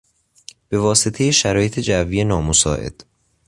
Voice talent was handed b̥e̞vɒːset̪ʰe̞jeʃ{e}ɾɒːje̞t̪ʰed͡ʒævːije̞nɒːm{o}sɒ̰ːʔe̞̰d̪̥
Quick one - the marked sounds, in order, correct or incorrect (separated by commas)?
incorrect, correct